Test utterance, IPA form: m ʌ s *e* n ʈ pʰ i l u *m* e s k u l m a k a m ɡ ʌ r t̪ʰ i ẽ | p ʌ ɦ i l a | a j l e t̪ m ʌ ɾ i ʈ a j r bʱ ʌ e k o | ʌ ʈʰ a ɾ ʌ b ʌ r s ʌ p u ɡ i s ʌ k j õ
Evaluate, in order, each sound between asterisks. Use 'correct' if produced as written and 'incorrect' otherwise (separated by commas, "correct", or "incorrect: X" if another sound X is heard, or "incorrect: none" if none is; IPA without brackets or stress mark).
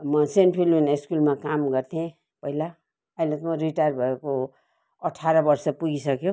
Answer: correct, incorrect: n